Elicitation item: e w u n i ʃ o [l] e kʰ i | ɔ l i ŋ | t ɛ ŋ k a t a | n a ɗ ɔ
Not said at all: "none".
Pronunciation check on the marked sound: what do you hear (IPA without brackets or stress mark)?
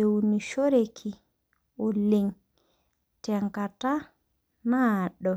ɾ